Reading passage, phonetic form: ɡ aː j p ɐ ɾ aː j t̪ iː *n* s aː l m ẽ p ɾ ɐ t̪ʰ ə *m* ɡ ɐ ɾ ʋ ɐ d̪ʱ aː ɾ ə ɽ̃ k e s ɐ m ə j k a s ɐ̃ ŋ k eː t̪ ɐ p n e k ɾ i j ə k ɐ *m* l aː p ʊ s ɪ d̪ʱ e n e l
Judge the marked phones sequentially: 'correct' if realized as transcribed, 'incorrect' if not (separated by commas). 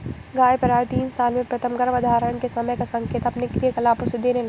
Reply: correct, correct, incorrect